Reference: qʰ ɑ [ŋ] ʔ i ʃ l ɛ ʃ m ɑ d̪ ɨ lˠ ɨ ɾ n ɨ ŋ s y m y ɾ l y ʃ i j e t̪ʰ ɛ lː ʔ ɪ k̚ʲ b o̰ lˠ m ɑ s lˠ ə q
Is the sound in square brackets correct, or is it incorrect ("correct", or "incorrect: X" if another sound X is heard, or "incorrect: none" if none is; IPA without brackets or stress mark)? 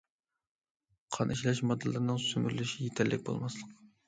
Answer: incorrect: n